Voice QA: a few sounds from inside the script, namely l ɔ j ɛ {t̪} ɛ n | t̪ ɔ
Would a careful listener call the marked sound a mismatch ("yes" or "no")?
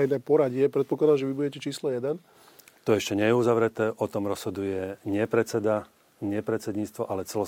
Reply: yes